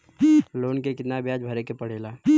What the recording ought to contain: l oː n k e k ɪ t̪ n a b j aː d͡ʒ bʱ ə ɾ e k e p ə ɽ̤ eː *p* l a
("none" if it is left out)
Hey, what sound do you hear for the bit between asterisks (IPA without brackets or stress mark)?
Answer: none